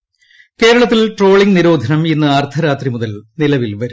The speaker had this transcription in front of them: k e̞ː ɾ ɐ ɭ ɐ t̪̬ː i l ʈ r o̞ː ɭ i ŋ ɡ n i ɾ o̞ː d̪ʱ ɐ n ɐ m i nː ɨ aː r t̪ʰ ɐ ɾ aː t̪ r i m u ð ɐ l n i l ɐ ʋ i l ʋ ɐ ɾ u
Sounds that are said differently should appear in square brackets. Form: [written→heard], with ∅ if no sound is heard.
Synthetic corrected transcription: k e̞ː ɾ ɐ ɭ ɐ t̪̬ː i l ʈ r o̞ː ɭ i ŋ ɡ n i ɾ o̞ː d̪ʱ ɐ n ɐ m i nː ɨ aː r t̪ʰ ɐ ɾ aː t̪ r i m u ð ɐ l n i l ɐ ʋ i l ʋ ɐ ɾ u